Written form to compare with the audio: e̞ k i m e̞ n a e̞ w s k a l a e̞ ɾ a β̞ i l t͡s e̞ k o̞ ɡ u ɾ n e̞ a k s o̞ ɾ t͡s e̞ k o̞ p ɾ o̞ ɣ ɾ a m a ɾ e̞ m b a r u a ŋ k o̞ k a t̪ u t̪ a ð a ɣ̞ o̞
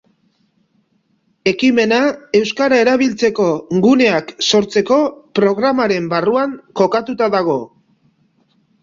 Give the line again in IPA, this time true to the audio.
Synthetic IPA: e̞ k i m e̞ n a e̞ w s k a ɾ a e̞ ɾ a β̞ i l t͡s e̞ k o̞ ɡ u n e̞ a k s o̞ ɾ t͡s e̞ k o̞ p ɾ o̞ ɣ ɾ a m a ɾ e̞ m b a r u a ŋ k o̞ k a t̪ u t̪ a ð a ɣ̞ o̞